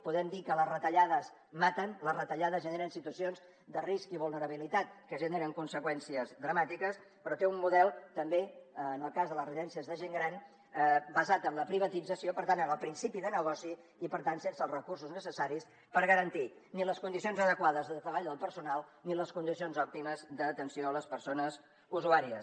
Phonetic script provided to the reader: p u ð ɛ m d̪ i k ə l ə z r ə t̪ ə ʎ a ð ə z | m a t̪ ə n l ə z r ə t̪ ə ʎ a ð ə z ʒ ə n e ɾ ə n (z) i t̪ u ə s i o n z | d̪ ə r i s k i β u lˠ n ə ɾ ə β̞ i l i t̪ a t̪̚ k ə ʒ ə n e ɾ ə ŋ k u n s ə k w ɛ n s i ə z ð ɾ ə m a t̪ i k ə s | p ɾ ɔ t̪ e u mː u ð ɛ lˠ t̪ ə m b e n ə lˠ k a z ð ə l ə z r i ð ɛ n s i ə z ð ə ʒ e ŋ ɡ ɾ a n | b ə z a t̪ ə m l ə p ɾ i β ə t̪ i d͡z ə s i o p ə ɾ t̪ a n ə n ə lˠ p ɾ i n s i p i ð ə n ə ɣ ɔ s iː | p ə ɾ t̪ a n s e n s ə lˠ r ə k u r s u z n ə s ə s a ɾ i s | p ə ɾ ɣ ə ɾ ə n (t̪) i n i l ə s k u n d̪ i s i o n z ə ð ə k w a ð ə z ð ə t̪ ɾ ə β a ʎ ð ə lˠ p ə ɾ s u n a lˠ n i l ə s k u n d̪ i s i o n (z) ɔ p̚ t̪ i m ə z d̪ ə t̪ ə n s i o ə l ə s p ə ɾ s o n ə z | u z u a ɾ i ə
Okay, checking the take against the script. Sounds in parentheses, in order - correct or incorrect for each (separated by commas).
incorrect, correct, correct